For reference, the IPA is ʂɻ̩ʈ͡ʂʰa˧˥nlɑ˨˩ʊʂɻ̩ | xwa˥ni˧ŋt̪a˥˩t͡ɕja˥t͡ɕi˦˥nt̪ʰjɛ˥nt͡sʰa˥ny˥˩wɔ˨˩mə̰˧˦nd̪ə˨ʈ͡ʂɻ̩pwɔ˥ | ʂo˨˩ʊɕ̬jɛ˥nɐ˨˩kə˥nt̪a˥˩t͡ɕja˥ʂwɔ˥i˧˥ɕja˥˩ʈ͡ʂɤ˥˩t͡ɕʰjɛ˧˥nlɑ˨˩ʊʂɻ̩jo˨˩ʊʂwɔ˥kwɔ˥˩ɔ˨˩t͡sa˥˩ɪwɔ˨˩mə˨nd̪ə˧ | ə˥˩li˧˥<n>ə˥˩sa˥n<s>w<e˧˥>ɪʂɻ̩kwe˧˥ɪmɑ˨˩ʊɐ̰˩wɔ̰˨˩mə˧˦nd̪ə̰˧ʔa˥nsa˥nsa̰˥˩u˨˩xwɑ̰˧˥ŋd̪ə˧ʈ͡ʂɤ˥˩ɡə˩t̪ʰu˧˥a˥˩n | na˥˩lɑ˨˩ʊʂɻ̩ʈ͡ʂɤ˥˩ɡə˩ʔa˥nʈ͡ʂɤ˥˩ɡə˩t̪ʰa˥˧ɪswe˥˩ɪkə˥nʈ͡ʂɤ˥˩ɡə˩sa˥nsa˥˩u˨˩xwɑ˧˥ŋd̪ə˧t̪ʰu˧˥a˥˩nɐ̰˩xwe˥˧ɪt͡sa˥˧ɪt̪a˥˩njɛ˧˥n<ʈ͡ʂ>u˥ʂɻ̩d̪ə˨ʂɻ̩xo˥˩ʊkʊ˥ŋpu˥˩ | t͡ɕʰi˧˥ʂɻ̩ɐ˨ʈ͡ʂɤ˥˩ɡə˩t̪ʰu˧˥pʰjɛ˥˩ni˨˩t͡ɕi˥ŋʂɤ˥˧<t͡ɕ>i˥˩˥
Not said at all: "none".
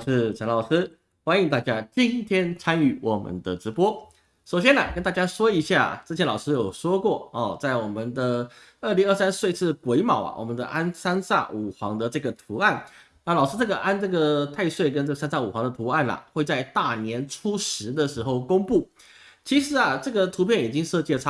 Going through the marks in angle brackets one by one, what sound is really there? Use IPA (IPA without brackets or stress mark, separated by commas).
ŋ, s, e˥˧, ʈ͡ʂʰ, t͡ɕ